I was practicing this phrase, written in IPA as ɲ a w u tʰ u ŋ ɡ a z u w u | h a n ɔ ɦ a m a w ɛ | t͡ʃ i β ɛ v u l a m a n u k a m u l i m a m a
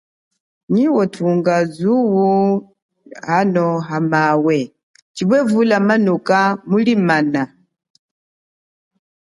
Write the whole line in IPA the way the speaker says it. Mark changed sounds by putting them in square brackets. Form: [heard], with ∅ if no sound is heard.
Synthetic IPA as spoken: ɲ [i] w [ɔ] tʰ u ŋ ɡ a z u w u | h a n ɔ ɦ a m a w ɛ | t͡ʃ i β ɛ v u l a m a n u k a m u l i m a [n] a